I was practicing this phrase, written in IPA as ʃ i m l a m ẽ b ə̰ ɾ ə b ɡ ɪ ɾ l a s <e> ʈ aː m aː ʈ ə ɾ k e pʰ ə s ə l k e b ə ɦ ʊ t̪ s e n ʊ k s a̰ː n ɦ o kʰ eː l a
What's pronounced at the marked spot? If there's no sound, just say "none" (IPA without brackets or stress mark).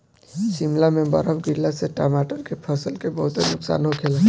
e